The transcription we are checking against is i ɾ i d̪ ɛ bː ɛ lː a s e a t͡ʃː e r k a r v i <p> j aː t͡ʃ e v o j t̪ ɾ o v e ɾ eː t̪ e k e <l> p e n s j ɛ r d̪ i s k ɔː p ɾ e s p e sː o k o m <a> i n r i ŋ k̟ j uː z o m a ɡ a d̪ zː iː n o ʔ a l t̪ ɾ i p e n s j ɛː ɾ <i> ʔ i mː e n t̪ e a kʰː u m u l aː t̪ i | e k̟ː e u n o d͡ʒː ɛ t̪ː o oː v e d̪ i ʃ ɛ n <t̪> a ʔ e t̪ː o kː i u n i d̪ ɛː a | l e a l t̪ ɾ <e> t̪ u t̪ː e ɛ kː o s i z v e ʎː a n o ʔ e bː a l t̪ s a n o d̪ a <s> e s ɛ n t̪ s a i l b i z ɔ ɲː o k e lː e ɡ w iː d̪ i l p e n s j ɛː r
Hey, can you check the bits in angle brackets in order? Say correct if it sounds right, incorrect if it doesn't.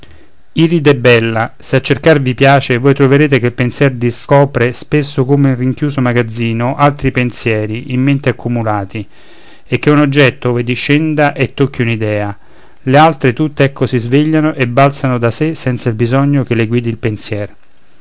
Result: correct, correct, incorrect: e, correct, incorrect: d̪, correct, correct

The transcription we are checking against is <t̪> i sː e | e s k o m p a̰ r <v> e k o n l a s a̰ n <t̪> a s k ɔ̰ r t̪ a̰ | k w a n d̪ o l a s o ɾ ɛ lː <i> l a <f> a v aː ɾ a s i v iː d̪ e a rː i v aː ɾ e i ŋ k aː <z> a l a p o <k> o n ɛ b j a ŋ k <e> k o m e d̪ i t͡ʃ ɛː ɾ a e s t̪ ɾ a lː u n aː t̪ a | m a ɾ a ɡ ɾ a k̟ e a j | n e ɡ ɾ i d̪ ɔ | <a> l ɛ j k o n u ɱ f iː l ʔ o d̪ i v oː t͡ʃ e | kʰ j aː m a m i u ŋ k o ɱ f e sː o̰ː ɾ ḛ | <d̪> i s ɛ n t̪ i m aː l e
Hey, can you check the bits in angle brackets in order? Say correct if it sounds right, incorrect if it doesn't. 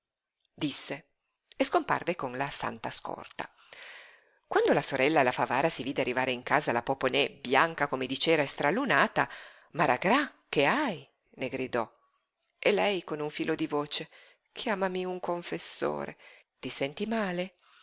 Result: incorrect: d̪, correct, correct, incorrect: a, correct, correct, incorrect: p, incorrect: a, incorrect: e, incorrect: t̪

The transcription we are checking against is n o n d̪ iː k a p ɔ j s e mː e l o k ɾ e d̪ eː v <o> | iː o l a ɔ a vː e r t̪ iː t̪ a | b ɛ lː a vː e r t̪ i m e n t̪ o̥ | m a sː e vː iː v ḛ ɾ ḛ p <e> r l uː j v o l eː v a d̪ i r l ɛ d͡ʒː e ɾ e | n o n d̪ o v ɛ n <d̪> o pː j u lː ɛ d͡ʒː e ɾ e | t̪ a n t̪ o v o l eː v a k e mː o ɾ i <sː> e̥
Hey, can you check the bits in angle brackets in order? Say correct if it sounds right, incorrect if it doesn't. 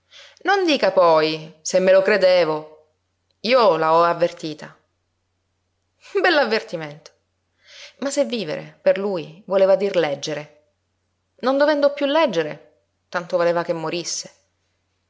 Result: correct, correct, correct, correct

